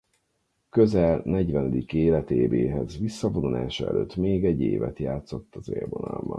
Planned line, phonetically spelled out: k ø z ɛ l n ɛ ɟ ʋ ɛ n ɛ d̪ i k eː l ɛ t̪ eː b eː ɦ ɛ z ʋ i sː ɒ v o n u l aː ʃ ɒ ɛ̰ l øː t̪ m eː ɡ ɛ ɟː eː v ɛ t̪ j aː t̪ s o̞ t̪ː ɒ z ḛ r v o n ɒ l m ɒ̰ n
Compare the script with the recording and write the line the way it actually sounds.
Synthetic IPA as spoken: k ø z ɛ l n ɛ ɟ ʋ ɛ n ɛ d̪ i k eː l ɛ t̪ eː b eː ɦ ɛ z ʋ i sː ɒ v o n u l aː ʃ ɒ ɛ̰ l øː t̪ m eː ɡ ɛ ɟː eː v ɛ t̪ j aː t̪ s o̞ t̪ː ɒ z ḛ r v o n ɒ l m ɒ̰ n

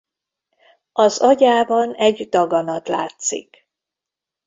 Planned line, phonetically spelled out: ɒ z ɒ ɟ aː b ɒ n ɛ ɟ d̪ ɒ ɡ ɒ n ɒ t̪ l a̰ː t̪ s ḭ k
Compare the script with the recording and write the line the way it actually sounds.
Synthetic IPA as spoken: ɒ z ɒ ɟ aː b ɒ n ɛ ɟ d̪ ɒ ɡ ɒ n ɒ t̪ l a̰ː t̪ s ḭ k

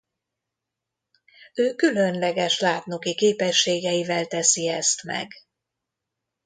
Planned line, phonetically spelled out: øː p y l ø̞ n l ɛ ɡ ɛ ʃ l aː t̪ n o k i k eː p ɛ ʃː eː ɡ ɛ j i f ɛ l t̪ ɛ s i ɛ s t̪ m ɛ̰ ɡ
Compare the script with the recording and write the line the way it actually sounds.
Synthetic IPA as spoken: øː k y l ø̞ n l ɛ ɡ ɛ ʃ l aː t̪ n o k i k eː p ɛ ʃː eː ɡ ɛ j i v ɛ l t̪ ɛ s i ɛ s t̪ m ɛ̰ ɡ

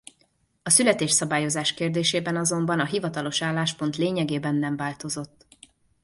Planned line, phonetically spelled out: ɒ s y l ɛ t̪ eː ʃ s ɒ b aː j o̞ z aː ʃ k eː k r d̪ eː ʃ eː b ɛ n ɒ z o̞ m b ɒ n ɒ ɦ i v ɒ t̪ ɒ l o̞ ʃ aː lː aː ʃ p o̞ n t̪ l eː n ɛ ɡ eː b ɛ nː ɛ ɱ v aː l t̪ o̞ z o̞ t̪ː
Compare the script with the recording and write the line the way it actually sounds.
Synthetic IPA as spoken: ɒ s y l ɛ t̪ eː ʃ s ɒ b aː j o̞ z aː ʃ k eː r d̪ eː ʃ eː b ɛ n ɒ z o̞ m b ɒ n ɒ ɦ i v ɒ t̪ ɒ l o̞ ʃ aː lː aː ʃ p o̞ n t̪ l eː ɲ ɛ ɡ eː b ɛ nː ɛ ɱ v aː l t̪ o̞ z o̞ t̪ː

